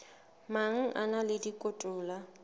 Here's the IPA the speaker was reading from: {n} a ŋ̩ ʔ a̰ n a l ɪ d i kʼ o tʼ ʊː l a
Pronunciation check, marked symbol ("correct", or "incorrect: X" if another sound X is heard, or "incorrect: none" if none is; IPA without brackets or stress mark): incorrect: m